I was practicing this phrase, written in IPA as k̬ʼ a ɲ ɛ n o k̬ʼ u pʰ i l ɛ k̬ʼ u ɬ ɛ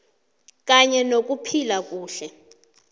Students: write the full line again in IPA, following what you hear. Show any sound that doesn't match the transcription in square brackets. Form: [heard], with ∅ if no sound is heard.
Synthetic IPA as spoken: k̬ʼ a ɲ ɛ n o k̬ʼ u pʰ i l [a] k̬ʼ [uː] ɬ ɛ